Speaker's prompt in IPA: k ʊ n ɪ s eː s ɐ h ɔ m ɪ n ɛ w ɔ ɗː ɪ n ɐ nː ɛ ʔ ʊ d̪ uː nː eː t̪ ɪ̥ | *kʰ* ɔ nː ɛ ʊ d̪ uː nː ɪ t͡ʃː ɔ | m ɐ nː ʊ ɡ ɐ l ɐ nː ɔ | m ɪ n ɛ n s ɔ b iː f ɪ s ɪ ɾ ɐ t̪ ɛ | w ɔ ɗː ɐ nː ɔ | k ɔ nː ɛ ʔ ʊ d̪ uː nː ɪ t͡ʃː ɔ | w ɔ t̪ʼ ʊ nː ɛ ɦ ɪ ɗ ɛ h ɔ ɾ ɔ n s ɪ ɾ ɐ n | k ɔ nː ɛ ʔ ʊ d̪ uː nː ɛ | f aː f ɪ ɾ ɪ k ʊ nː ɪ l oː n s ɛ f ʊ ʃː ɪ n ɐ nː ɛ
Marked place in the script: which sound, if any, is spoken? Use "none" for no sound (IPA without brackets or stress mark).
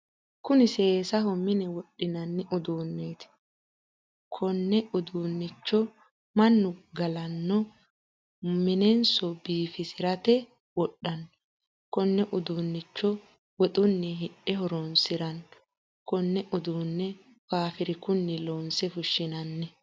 kʰ